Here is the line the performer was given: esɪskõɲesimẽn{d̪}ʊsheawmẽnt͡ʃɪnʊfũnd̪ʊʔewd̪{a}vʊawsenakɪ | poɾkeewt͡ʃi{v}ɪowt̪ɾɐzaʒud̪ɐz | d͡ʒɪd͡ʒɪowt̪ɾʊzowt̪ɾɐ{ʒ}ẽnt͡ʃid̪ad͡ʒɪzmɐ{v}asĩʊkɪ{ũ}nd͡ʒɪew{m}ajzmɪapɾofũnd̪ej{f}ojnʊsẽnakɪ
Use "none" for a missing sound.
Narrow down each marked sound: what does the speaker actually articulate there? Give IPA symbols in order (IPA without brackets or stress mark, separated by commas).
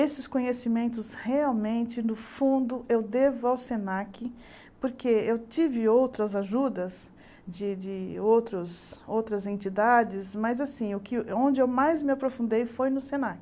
t̪, e, v, z, z, õ, m, f